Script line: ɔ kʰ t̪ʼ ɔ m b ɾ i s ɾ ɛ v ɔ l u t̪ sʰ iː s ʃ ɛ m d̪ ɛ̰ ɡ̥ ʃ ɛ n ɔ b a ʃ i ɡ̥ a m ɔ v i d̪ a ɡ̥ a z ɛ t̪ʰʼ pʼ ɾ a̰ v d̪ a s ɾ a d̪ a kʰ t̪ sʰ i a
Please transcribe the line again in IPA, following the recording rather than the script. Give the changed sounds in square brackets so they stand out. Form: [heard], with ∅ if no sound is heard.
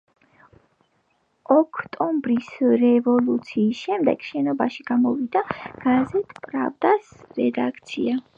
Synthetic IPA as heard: ɔ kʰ t̪ʼ ɔ m b ɾ i s ɾ ɛ v ɔ l u t̪ sʰ iː s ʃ ɛ m d̪ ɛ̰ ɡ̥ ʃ ɛ n ɔ b a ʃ i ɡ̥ a m ɔ v i d̪ a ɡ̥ a z ɛ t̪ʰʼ pʼ ɾ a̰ v d̪ a s ɾ [ɛ] d̪ a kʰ t̪ sʰ i a